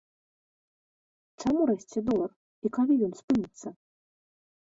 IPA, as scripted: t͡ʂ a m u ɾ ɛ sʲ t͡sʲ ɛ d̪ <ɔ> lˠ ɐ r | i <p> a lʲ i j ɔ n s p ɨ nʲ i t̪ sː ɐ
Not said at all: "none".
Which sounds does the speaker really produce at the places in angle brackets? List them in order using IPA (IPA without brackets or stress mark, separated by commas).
ɔ, k